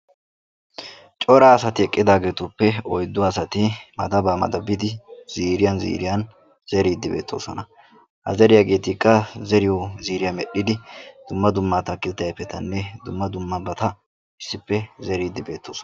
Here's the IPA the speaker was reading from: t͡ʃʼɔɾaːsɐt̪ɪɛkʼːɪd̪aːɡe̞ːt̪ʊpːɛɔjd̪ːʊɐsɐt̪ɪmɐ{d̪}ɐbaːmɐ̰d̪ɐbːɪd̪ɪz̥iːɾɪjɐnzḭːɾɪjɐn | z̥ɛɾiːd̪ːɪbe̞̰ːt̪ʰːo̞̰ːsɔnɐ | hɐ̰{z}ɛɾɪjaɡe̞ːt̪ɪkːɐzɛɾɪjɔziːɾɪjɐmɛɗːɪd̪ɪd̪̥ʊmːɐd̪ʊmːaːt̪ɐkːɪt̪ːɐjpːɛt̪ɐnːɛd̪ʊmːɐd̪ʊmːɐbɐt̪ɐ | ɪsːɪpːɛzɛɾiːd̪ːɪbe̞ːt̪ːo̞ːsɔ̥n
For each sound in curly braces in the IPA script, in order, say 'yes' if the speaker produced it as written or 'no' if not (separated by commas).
yes, yes